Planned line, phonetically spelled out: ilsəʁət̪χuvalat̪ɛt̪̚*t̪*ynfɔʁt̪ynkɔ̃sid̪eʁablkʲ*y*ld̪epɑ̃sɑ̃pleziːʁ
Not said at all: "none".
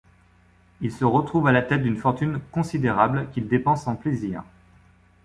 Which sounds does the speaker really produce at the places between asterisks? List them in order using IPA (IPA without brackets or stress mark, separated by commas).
d̪, i